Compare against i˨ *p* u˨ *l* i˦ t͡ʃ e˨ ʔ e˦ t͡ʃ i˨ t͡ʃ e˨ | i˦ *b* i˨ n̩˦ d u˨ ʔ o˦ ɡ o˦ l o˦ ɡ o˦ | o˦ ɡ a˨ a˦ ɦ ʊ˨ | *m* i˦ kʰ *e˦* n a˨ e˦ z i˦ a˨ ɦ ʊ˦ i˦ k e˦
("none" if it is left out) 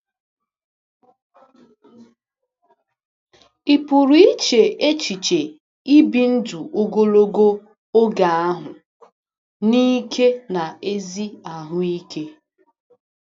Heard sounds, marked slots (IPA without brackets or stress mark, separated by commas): p, ɾ, b, n, e˦